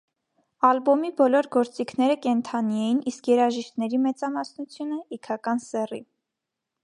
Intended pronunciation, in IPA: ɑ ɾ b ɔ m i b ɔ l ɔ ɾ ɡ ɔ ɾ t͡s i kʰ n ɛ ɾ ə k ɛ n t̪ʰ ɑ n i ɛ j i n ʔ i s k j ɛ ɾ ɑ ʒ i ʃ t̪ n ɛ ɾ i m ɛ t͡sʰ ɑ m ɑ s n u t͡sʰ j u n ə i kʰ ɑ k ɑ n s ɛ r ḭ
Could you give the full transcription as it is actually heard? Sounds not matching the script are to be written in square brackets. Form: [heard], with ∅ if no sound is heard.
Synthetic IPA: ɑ [l] b ɔ m i b ɔ l ɔ ɾ ɡ ɔ ɾ t͡s i kʰ n ɛ ɾ ə k ɛ n t̪ʰ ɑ n i ɛ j i n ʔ i s k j ɛ ɾ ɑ ʒ i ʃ t̪ n ɛ ɾ i m ɛ [t͡s] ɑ m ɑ s n u t͡sʰ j u n ə i kʰ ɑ k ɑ n s ɛ r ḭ

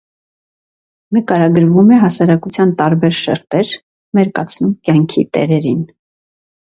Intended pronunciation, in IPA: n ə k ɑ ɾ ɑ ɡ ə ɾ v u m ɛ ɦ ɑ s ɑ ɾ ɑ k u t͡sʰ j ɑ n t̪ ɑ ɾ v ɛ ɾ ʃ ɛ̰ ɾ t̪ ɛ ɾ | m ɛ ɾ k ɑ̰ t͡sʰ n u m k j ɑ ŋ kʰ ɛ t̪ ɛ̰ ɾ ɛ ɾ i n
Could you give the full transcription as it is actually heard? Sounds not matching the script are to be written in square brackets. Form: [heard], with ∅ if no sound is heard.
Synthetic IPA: n ə k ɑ ɾ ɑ ɡ ə ɾ v u m ɛ ɦ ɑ s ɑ ɾ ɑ k u t͡sʰ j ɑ n t̪ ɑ ɾ [b] ɛ ɾ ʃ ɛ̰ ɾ t̪ ɛ ɾ | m ɛ ɾ k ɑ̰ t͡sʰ n u m k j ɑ ŋ kʰ [i] t̪ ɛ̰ ɾ ɛ ɾ i n

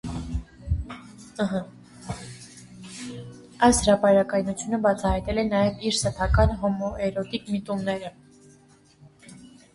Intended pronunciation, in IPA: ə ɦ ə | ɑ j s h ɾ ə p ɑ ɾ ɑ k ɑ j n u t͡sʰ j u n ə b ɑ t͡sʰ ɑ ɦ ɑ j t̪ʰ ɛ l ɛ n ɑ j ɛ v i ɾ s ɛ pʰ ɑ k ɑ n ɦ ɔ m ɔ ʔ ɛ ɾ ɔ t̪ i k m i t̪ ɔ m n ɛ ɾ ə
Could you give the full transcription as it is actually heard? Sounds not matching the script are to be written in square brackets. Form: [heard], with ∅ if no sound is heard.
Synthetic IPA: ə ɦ ə | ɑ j s h ɾ [ɑ] p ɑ ɾ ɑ k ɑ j n u t͡sʰ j u n ə b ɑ t͡sʰ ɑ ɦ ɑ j [t̪] ɛ l ɛ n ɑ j ɛ v i ɾ s ɛ pʰ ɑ k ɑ n ɦ ɔ m ɔ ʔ ɛ ɾ ɔ t̪ i k m i t̪ [u] m n ɛ ɾ ə

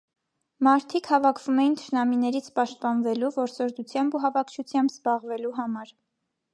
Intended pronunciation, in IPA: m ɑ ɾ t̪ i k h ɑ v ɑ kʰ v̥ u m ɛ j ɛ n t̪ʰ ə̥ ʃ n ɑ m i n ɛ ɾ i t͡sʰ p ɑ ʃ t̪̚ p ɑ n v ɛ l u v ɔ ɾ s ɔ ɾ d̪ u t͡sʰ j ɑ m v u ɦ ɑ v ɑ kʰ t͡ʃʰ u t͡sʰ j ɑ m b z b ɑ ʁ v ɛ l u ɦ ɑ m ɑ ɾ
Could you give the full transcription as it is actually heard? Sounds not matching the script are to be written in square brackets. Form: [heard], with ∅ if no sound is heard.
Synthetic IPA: m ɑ ɾ [t̪ʰ] i k h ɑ v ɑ kʰ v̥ u m ɛ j [i] n t̪ʰ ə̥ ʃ n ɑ m i n ɛ ɾ i t͡sʰ p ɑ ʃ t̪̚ p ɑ n v ɛ l u v ɔ ɾ s ɔ ɾ d̪ u t͡sʰ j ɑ m [b] u ɦ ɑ v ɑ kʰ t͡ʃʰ u t͡sʰ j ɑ m b z b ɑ ʁ v ɛ l u ɦ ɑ m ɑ ɾ

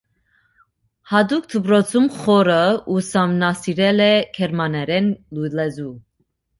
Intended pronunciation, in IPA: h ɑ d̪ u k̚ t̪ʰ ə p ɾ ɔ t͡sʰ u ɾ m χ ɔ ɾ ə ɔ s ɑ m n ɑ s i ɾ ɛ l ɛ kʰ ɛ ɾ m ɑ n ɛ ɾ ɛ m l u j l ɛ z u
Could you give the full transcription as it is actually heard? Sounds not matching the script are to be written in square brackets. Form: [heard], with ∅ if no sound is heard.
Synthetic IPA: h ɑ d̪ u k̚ t̪ʰ ə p ɾ ɔ t͡sʰ u [∅] m χ ɔ ɾ ə [u] s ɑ m n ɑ s i ɾ ɛ l ɛ kʰ ɛ ɾ m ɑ n ɛ ɾ ɛ [n] l u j l ɛ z u

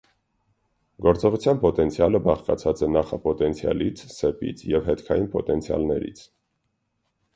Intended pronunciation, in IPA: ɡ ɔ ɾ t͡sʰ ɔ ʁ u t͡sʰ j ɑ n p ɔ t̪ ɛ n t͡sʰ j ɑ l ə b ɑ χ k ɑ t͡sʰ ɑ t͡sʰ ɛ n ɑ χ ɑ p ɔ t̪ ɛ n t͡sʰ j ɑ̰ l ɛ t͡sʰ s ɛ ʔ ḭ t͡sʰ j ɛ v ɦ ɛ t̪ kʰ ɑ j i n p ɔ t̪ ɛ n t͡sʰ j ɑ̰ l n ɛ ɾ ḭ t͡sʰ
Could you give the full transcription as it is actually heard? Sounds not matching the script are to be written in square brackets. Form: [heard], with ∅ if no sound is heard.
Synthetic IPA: ɡ ɔ ɾ [t͡s] ɔ ʁ u t͡sʰ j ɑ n p ɔ t̪ ɛ n t͡sʰ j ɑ l ə b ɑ χ k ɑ t͡sʰ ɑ [t͡s] ɛ n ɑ χ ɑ p ɔ t̪ ɛ n t͡sʰ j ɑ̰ l [i] t͡sʰ s ɛ [p] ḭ t͡sʰ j ɛ v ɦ ɛ t̪ kʰ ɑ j i n p ɔ t̪ ɛ n t͡sʰ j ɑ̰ l n ɛ ɾ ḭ t͡sʰ

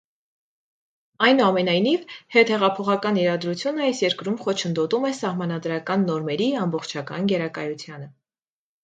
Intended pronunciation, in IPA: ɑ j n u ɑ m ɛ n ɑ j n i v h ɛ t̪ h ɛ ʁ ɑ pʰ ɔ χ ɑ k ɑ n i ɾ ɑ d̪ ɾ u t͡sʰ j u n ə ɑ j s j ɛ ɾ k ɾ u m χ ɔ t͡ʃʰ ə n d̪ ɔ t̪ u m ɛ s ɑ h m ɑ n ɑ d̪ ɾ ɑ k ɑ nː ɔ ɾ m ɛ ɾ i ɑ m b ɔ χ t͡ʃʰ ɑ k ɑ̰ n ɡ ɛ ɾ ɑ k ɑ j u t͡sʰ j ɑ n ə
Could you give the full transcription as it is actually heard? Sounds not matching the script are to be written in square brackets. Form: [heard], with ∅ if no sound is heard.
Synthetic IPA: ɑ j n u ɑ m ɛ n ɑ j n i v h ɛ t̪ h ɛ ʁ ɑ pʰ ɔ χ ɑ k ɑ n i ɾ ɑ d̪ ɾ u t͡sʰ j u n ə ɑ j s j ɛ ɾ k ɾ u m χ ɔ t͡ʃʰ ə n d̪ ɔ t̪ u m ɛ s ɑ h m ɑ n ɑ d̪ ɾ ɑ k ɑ nː ɔ ɾ m ɛ ɾ i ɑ m b ɔ χ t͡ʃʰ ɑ k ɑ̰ n ɡ ɛ ɾ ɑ k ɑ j u t͡sʰ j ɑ n ə

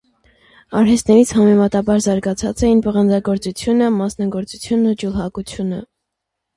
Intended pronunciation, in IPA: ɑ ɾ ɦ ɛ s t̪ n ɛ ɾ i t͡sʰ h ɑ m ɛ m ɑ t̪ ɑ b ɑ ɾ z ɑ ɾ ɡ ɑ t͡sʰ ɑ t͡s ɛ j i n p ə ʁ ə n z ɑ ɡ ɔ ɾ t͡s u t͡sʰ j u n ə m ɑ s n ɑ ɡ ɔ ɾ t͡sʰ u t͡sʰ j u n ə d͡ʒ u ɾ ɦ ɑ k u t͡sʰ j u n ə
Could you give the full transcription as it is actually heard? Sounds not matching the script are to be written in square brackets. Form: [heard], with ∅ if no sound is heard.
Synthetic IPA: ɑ ɾ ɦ ɛ s t̪ n ɛ ɾ i t͡sʰ h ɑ m ɛ m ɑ t̪ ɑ b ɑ ɾ z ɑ ɾ ɡ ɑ t͡sʰ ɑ t͡s ɛ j i n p ə ʁ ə n [d͡z] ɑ ɡ ɔ ɾ t͡s u t͡sʰ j u n ə m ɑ s n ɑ ɡ ɔ ɾ [t͡s] u t͡sʰ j u n ə d͡ʒ u [l] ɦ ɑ k u t͡sʰ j u n ə

